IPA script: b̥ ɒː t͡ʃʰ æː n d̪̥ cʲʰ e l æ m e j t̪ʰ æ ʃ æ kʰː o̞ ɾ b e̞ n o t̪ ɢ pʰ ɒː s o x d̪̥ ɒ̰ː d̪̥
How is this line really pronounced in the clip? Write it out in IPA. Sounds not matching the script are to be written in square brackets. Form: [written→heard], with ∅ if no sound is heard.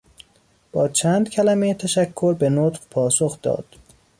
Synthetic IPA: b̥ ɒː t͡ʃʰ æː n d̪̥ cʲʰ [e→æ] l æ m e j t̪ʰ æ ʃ æ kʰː o̞ ɾ b e̞ n o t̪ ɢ pʰ ɒː s o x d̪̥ ɒ̰ː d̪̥